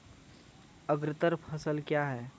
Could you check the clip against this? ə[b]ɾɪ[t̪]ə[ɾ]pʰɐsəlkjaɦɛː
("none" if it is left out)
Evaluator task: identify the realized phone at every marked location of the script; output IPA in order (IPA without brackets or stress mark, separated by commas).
ɡ, t̪, ɾ